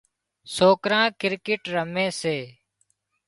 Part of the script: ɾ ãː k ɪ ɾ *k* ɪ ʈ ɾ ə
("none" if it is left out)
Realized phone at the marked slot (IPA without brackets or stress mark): k